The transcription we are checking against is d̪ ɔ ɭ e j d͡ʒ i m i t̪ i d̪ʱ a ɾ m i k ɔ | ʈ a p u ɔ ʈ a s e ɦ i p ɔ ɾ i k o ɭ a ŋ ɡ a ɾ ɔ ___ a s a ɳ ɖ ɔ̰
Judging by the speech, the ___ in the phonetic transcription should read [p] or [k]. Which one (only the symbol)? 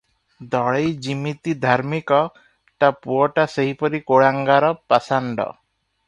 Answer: p